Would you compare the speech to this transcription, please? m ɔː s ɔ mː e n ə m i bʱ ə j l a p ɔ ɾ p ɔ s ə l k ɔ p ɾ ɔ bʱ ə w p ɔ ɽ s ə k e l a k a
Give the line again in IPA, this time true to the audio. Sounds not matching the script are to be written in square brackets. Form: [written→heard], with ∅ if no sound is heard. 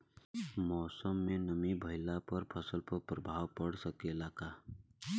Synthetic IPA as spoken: m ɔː s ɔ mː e n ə m i bʱ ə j l a p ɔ ɾ [p→pʰ] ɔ s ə l [k→p] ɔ p ɾ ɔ bʱ [ə→a] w p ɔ ɽ s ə k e l a k a